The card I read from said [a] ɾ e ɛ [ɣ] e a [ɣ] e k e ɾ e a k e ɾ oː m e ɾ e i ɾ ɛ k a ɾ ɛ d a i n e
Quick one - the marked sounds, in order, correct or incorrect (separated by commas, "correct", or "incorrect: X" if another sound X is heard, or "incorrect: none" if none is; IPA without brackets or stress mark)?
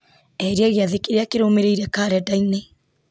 incorrect: ɛ, correct, incorrect: ð